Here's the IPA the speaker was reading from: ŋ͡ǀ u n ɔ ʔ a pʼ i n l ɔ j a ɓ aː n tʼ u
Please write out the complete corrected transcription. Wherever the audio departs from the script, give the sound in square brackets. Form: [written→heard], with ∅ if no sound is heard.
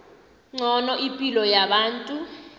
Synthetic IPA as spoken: ŋ͡ǀ [u→ɔ] n ɔ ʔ [a→i] pʼ i [n→∅] l ɔ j a ɓ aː n tʼ u